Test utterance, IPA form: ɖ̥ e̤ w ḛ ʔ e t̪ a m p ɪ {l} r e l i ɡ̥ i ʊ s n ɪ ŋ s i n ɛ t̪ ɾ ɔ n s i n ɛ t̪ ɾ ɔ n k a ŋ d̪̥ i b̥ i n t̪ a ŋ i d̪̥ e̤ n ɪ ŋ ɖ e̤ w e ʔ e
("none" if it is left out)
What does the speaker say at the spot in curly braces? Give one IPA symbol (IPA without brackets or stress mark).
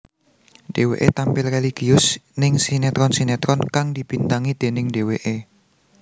l